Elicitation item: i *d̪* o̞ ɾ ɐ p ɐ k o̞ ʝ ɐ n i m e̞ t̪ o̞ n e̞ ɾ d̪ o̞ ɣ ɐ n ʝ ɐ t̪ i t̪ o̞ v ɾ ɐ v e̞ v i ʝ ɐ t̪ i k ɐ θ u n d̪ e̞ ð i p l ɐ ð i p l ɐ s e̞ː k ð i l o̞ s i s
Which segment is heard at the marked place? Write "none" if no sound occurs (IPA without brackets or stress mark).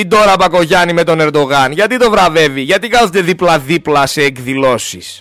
d̪